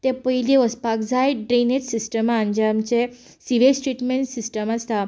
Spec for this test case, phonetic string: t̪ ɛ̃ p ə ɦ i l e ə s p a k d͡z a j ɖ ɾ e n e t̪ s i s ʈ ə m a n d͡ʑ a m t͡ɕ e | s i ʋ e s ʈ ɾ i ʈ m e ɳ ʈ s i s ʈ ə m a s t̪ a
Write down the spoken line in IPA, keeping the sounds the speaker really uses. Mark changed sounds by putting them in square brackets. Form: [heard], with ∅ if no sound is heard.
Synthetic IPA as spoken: t̪ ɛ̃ p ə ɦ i l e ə s p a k d͡z a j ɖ ɾ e n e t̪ s i s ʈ ə m a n d͡ʑ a m t͡ɕ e | s i ʋ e s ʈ ɾ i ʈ m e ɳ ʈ s i s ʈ ə m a s t̪ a